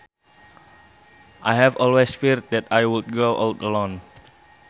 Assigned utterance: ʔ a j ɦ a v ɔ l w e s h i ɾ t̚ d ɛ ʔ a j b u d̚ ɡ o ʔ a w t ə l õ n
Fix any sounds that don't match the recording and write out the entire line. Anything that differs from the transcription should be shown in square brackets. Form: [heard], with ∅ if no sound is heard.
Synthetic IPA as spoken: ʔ a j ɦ [ɛ] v ɔ l w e s [f] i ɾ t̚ d ɛ [t] a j [w] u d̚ ɡ o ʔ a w t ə l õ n